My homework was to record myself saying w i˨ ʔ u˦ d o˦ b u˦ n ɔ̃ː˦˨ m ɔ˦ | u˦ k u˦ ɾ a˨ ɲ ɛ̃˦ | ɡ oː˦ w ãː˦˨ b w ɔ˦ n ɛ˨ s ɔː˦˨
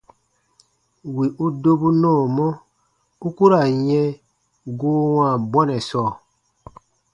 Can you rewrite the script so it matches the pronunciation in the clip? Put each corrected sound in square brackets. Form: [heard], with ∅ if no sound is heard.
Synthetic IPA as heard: w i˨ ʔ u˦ d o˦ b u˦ n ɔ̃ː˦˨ m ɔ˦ | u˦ k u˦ ɾ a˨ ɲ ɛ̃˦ | ɡ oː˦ w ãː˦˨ b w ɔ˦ n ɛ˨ s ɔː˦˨